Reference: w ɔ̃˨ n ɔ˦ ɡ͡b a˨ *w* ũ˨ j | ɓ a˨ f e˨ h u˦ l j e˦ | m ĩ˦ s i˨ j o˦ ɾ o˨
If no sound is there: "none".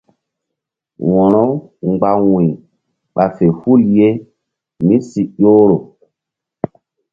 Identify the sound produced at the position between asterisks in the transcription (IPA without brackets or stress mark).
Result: w